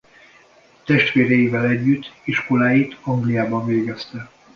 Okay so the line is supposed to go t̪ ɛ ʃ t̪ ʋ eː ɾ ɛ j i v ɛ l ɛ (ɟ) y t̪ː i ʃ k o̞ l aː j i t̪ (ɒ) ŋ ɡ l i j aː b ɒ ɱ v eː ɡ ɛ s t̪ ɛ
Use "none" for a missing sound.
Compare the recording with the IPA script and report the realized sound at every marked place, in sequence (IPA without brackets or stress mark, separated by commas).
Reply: ɟː, ɒ